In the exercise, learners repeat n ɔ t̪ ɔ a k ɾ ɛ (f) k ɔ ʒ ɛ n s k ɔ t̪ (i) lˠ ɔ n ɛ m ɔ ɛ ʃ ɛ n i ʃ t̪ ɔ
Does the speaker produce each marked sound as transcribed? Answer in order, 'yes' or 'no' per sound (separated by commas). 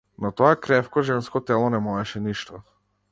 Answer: yes, no